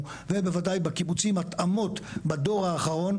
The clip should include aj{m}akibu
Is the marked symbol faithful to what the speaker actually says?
no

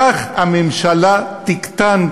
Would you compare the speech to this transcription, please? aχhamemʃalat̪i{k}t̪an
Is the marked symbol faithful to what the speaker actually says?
yes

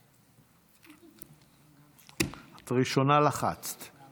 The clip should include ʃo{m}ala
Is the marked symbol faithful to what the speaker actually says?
no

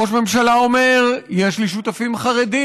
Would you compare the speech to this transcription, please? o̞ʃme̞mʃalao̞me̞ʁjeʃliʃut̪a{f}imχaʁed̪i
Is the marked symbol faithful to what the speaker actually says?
yes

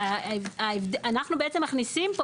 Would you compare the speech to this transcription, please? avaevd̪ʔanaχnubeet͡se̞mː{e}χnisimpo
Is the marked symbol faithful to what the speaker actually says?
no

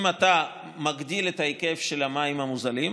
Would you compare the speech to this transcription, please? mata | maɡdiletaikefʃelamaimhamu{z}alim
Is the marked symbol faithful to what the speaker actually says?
yes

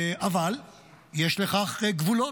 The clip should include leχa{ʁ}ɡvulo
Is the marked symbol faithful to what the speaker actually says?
no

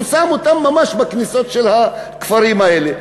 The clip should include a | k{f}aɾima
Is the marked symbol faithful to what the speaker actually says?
yes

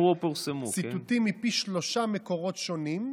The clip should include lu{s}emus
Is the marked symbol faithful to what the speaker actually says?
yes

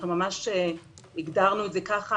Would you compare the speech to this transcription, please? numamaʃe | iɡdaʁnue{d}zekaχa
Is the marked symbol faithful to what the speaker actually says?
no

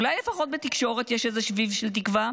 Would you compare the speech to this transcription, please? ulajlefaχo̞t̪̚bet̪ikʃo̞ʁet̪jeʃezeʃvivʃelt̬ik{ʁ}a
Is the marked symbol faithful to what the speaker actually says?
no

